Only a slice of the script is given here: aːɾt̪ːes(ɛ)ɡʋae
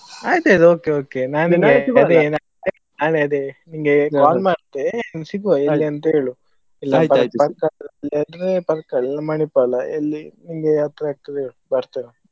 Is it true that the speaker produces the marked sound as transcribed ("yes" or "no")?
no